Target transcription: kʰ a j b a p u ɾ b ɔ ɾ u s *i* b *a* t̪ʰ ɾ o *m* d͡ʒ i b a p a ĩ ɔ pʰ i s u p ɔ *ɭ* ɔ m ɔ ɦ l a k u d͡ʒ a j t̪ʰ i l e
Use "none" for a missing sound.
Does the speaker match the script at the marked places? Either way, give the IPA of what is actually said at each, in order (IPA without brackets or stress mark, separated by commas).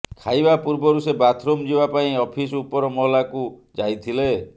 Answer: e, a, m, ɾ